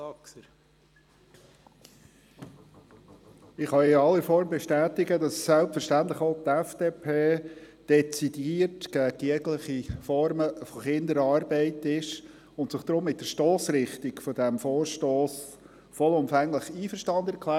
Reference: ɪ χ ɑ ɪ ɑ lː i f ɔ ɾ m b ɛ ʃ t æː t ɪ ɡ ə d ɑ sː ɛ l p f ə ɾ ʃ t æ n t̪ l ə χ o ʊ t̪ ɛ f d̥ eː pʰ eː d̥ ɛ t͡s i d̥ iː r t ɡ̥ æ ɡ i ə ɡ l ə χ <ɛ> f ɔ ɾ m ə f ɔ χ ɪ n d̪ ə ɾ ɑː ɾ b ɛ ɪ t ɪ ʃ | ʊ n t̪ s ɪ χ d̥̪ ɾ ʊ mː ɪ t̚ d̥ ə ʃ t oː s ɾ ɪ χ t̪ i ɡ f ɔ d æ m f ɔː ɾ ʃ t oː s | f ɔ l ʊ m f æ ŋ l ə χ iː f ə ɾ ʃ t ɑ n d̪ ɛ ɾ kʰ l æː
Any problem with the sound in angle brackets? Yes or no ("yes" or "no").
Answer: yes